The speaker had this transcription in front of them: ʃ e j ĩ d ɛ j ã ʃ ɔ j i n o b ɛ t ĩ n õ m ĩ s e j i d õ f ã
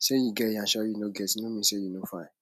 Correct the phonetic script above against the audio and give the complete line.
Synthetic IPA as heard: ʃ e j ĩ ɡ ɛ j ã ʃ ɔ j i n o ɡ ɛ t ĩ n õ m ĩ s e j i n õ f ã